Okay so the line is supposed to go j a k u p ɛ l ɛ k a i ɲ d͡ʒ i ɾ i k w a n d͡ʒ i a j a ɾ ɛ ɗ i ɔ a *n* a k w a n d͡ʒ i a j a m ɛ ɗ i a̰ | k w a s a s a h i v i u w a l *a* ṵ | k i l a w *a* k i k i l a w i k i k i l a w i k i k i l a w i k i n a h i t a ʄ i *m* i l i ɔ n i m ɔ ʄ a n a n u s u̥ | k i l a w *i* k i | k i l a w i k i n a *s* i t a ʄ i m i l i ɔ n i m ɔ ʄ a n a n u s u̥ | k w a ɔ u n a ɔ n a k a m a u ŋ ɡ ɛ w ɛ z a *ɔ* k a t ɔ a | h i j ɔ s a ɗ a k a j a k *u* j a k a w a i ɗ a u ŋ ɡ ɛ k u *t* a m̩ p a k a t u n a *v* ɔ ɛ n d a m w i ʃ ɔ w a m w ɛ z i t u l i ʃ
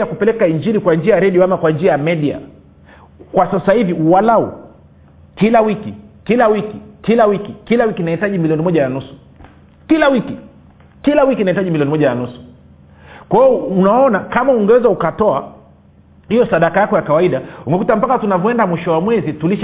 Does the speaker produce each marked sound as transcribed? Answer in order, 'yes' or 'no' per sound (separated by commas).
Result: no, yes, no, yes, yes, no, no, no, yes, yes